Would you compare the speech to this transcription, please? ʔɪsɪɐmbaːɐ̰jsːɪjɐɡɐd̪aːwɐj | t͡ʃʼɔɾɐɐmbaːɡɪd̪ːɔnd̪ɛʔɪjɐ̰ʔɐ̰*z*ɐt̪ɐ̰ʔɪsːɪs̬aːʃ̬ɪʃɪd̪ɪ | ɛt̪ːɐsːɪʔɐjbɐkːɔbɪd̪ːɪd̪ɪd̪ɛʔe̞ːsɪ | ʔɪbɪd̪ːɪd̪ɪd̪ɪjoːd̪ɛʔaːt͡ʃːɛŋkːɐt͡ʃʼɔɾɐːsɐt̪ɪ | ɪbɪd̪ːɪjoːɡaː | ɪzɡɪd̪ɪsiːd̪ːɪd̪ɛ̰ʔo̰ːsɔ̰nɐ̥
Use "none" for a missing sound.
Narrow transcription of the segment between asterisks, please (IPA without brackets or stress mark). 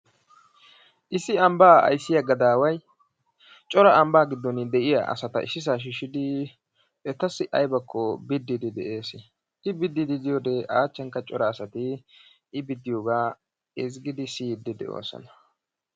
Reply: s